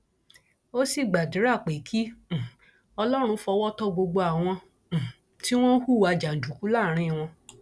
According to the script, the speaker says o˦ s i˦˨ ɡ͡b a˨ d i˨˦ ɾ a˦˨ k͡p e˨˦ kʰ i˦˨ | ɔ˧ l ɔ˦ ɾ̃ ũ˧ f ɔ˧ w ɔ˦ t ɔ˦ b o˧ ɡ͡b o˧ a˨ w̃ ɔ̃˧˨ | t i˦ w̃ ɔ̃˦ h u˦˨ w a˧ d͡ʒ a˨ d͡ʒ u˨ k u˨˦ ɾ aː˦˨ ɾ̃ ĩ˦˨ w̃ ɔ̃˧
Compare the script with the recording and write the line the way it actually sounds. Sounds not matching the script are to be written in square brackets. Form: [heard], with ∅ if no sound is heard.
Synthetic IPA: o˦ s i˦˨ ɡ͡b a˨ d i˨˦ ɾ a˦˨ k͡p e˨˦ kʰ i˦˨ | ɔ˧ l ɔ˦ ɾ̃ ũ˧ f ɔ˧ w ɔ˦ t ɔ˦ [ɡ͡b] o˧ ɡ͡b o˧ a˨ w̃ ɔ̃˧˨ | t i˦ w̃ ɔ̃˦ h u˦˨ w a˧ d͡ʒ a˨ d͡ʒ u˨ k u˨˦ [l] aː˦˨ ɾ̃ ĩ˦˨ w̃ ɔ̃˧

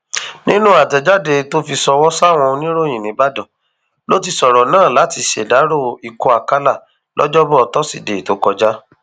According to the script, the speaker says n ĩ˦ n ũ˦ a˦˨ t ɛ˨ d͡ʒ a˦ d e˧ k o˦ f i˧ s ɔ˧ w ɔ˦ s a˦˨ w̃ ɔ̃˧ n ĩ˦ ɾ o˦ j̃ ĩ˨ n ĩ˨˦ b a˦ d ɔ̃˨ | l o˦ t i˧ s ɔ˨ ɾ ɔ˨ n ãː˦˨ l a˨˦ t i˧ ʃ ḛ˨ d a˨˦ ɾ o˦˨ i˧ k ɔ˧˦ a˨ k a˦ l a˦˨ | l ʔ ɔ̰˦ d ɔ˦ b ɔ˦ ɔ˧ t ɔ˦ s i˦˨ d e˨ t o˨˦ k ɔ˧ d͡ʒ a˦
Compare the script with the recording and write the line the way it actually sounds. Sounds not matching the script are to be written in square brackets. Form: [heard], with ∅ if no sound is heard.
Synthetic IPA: n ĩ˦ n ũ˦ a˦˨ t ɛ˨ d͡ʒ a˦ d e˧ [t] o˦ f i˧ s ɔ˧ w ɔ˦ s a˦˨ w̃ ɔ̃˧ n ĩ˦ ɾ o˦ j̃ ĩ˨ n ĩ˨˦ b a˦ d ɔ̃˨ | l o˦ t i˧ s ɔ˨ ɾ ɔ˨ n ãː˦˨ l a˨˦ t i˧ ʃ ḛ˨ d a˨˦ ɾ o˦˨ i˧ k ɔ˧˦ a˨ k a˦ l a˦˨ | l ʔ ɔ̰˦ [d͡ʒ] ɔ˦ b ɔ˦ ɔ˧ t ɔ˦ s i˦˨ d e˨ t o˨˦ k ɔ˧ d͡ʒ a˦

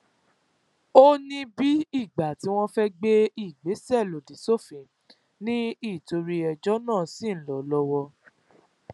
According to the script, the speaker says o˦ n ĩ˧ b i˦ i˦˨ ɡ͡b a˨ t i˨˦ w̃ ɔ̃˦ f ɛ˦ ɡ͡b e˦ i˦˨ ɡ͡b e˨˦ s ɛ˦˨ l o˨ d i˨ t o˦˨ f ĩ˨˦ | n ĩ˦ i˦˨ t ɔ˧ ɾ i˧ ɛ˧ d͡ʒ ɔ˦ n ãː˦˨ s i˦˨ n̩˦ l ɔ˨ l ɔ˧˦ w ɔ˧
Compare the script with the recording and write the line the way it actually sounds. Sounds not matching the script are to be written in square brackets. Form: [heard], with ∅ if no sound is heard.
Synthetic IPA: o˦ n ĩ˧ b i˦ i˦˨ ɡ͡b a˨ t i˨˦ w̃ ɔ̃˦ f ɛ˦ ɡ͡b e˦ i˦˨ ɡ͡b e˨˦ s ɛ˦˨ l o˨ d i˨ [s] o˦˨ f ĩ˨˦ | n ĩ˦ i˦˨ t [o˧] ɾ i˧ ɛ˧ d͡ʒ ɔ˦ n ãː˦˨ s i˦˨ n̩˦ l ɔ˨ l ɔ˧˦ w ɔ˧

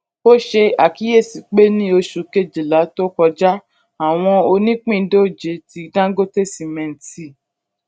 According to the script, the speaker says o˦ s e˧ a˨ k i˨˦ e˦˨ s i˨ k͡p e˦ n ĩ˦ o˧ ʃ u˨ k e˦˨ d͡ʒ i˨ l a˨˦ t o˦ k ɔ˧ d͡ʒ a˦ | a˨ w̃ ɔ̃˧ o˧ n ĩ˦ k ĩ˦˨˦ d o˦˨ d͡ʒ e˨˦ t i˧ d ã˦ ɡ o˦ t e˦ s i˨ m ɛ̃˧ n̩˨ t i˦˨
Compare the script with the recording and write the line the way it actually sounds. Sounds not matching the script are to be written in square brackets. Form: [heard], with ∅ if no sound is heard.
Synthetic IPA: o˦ [ʃ] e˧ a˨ k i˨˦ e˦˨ s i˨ k͡p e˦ n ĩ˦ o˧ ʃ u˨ k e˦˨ d͡ʒ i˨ l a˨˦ t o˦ k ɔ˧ d͡ʒ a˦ | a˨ w̃ ɔ̃˧ o˧ n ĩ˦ [k͡p] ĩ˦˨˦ d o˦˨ d͡ʒ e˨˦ t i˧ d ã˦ ɡ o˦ t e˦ s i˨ m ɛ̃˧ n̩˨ t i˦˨

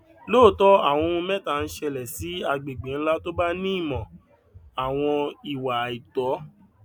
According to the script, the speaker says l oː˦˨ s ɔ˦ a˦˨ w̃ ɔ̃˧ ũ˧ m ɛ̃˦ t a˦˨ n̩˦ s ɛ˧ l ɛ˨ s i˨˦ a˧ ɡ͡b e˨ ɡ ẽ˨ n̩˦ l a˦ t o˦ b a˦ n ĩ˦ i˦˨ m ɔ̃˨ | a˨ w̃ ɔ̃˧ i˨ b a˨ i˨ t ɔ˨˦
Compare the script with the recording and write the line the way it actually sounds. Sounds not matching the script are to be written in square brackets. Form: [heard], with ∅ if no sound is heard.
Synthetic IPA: l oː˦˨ [t] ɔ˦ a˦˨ w̃ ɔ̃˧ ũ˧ m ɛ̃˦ t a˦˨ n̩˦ [ʃ] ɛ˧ l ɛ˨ s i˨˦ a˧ ɡ͡b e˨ [ɡ͡b] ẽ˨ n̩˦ l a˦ t o˦ b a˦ n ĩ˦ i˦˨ m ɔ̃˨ | a˨ w̃ ɔ̃˧ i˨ [w] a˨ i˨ t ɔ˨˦

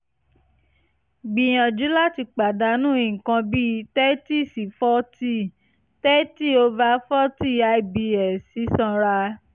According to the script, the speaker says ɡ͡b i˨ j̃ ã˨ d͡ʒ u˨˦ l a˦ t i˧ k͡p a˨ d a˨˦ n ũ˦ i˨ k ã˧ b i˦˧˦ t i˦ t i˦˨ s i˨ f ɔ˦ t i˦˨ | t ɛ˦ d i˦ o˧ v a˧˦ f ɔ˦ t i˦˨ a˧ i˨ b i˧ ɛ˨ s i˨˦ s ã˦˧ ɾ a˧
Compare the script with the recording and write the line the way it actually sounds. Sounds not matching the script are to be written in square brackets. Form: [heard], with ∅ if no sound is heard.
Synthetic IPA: ɡ͡b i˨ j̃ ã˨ d͡ʒ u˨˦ l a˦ t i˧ k͡p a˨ d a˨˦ n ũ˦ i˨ k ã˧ b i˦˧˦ t [ɛ˦] t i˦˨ s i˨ f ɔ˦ t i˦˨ | t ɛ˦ [t] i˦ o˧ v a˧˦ f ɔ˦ t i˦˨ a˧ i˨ b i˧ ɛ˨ s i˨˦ s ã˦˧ ɾ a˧

